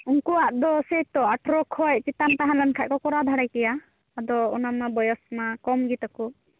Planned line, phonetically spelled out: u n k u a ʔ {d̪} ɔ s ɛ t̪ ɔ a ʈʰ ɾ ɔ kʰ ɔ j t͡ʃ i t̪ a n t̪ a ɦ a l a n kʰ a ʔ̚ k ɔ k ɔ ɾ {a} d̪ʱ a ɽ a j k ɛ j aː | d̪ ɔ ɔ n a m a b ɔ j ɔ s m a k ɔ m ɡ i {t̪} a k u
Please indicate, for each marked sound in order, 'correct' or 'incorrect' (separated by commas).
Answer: correct, correct, correct